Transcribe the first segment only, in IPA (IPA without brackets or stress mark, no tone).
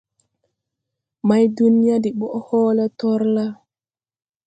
m